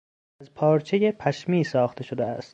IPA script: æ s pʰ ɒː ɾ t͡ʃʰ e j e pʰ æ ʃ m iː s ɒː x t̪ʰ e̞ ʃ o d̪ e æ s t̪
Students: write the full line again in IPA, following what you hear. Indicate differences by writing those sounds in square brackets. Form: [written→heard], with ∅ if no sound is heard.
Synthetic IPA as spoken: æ [s→z] pʰ ɒː ɾ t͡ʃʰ e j e pʰ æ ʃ m iː s ɒː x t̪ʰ e̞ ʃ o d̪ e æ s t̪

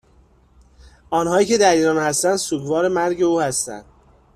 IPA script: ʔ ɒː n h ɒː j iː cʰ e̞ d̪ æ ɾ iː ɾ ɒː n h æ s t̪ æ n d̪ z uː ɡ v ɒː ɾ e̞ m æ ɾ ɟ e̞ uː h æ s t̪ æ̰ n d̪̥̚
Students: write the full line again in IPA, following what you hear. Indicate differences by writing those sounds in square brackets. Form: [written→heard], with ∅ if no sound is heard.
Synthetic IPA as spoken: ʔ ɒː n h ɒː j iː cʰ e̞ d̪ æ ɾ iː ɾ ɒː n h æ s t̪ æ n d̪ [z→s] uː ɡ v ɒː ɾ e̞ m æ ɾ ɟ e̞ uː h æ s t̪ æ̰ n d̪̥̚

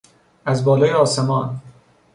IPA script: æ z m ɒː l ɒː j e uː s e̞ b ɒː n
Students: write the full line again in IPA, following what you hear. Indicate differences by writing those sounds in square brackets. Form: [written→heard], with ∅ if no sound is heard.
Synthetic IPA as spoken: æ z [m→b] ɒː l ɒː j e [uː→ɒː] s e̞ [b→m] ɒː n

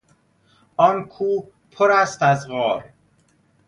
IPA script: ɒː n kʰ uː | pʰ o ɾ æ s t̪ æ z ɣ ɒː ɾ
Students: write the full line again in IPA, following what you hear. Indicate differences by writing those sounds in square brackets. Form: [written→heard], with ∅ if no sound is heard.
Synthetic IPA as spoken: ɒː n kʰ uː | pʰ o ɾ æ s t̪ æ z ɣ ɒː ɾ

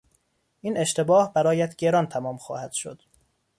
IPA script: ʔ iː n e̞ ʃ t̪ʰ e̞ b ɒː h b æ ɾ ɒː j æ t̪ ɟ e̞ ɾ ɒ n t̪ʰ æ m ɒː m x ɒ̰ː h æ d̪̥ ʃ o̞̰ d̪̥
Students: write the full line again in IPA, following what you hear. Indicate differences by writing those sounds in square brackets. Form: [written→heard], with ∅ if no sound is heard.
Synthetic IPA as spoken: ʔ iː n e̞ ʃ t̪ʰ e̞ b ɒː h b æ ɾ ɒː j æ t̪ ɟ e̞ ɾ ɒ n t̪ʰ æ m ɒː m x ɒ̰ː h æ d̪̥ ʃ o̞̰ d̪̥

